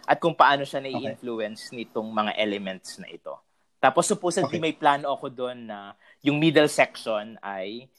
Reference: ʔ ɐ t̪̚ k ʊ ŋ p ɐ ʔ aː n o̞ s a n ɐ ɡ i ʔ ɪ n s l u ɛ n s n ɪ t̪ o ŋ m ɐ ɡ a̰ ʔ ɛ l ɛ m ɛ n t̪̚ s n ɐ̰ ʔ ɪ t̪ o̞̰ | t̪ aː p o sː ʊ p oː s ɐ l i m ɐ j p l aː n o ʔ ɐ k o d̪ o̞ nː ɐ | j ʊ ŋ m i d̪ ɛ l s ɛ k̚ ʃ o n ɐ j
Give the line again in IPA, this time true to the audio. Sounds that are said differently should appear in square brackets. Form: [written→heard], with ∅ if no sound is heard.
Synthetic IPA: ʔ ɐ t̪̚ k ʊ ŋ p ɐ ʔ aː n o̞ [s→ʃ] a n ɐ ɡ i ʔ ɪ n [s→f] l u ɛ n s n ɪ t̪ o ŋ m ɐ [ɡ→ŋ] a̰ ʔ ɛ l ɛ m ɛ n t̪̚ s n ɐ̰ ʔ ɪ t̪ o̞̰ | t̪ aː p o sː ʊ p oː s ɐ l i m ɐ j p l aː n o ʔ ɐ k o d̪ o̞ nː ɐ | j ʊ ŋ m i d̪ ɛ l s ɛ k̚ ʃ o n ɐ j